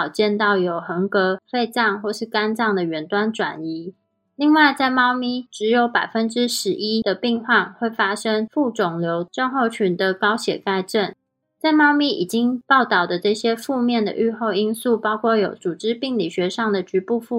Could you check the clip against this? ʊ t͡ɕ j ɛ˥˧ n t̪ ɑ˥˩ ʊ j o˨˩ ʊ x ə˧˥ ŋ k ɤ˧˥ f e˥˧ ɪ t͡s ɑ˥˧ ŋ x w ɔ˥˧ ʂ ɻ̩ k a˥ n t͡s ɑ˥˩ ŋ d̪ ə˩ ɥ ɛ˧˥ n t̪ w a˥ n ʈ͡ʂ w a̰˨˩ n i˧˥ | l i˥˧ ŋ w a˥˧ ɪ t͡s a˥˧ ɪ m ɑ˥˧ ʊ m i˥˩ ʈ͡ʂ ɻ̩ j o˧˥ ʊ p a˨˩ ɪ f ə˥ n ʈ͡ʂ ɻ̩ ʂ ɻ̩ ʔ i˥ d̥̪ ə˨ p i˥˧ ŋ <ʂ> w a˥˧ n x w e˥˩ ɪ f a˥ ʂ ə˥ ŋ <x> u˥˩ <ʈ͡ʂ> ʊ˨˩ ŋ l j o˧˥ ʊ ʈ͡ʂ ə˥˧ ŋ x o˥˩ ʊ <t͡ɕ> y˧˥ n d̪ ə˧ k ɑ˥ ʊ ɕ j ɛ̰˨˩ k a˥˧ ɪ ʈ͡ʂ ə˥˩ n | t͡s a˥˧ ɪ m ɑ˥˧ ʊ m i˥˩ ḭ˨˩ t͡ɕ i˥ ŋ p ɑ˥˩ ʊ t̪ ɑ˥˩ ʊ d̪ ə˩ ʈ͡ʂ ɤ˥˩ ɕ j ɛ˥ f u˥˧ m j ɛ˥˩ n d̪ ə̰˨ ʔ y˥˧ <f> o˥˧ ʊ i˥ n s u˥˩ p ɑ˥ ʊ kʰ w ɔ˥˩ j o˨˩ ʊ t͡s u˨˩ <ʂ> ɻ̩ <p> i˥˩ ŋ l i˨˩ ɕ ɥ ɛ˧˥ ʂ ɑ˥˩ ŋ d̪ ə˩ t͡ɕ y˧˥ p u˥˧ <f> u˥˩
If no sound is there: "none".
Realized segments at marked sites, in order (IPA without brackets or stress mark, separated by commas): x, f, ʈ͡ʂ, t͡ɕʰ, x, ʈ͡ʂ, p, f